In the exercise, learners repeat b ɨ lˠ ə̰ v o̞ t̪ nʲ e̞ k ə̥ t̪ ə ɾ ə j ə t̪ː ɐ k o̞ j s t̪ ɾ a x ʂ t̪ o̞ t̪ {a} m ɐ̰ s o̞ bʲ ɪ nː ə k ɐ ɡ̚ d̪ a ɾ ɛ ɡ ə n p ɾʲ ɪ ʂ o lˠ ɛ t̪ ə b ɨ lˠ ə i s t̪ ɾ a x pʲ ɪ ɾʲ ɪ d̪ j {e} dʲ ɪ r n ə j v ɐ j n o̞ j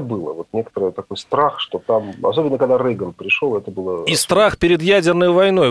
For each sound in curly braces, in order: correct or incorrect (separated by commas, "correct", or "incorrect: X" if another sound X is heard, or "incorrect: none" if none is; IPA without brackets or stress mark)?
correct, incorrect: æ